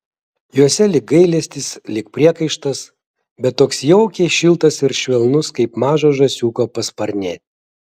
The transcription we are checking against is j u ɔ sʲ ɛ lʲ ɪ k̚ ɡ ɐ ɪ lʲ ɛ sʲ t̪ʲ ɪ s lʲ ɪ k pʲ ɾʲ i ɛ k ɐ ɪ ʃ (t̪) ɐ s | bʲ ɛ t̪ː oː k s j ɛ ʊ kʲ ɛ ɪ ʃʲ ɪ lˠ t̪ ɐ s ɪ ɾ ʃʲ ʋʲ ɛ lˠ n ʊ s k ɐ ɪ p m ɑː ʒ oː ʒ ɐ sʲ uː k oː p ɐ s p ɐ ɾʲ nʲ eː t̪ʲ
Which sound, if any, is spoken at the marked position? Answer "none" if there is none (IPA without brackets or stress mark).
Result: t̪